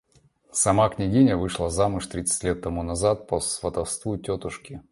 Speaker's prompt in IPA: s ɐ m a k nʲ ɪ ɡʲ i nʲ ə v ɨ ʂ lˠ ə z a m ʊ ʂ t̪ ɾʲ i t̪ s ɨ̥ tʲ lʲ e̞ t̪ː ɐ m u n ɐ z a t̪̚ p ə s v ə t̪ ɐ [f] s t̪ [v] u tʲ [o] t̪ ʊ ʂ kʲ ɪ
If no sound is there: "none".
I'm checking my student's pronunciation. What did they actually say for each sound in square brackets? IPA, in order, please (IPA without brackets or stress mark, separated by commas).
f, v, o